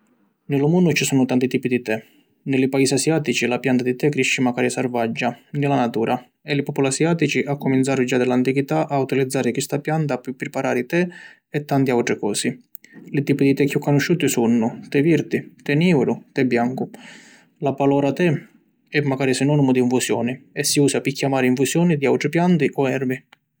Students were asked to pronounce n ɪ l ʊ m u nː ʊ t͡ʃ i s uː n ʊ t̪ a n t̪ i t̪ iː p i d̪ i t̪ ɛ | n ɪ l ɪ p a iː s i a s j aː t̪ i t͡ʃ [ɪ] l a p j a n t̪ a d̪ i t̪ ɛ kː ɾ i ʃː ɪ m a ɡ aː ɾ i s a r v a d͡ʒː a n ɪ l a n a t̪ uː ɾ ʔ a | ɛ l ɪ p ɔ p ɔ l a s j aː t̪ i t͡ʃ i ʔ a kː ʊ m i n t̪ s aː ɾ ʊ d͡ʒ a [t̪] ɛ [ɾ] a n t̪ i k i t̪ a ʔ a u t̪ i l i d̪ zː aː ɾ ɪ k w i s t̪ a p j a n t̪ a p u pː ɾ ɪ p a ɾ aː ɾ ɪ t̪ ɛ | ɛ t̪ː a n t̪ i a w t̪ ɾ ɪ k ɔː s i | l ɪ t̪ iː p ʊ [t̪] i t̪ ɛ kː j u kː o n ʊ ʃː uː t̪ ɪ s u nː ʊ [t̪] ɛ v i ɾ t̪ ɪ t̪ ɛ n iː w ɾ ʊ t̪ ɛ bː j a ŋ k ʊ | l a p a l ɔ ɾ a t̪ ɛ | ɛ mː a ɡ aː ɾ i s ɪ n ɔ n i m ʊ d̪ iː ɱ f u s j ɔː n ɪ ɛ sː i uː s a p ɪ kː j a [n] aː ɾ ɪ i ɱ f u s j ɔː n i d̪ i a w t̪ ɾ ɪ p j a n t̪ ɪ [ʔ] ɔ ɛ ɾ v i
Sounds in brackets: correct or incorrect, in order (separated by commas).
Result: incorrect, incorrect, incorrect, incorrect, correct, incorrect, correct